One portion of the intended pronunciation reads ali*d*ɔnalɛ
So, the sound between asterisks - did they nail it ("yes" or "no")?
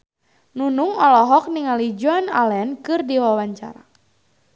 no